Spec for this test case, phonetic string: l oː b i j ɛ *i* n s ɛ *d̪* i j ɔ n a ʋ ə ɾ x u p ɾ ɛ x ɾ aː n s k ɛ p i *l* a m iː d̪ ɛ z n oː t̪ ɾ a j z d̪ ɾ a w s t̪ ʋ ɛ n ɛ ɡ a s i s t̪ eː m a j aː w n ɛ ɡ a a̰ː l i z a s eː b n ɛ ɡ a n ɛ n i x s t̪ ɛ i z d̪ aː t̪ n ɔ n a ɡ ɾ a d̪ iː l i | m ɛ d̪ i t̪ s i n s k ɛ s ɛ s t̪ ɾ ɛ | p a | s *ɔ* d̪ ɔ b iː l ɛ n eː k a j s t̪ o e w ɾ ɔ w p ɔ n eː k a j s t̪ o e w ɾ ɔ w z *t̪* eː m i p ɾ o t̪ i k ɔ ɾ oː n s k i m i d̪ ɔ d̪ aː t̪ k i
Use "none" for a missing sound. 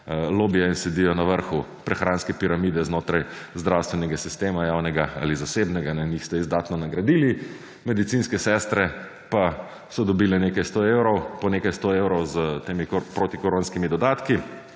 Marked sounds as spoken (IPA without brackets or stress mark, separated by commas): i, d̪, ɾ, ɔ, t̪